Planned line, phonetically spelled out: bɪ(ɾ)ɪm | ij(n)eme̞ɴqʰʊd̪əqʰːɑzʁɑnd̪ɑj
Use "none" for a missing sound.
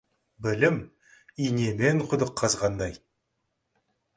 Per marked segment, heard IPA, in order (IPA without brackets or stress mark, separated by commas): l, n